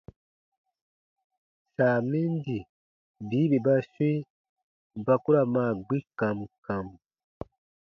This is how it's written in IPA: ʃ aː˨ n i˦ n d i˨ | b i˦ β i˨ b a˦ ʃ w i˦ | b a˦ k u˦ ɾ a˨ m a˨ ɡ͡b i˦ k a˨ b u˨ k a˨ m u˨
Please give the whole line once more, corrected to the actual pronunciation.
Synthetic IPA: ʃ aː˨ m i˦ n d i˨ | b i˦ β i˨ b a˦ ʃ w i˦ | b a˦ k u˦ ɾ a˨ m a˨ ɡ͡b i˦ k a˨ m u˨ k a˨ m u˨